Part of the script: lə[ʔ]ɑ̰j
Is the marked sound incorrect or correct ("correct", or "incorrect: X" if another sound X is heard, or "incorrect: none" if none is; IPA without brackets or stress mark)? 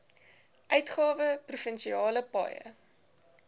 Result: incorrect: p